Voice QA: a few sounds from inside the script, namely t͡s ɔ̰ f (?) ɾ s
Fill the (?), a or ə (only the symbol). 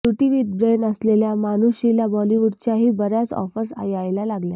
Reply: ə